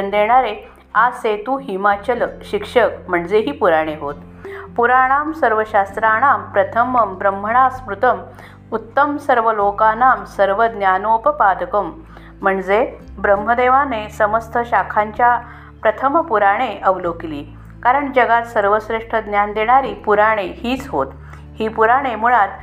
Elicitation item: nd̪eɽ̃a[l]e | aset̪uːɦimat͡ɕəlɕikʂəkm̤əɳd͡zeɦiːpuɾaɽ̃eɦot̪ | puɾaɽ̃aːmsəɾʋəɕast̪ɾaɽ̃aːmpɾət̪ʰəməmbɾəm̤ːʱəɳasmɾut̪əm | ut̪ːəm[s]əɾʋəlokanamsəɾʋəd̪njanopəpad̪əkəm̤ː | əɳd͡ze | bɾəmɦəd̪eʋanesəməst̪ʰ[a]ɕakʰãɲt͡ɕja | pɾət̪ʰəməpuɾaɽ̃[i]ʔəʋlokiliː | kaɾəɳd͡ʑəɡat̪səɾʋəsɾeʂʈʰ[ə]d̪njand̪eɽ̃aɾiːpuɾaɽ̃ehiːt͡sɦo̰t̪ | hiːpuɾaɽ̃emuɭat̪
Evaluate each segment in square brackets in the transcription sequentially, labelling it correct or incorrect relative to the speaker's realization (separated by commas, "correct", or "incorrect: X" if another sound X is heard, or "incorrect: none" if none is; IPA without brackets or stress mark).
incorrect: ɾ, correct, incorrect: ə, incorrect: e, correct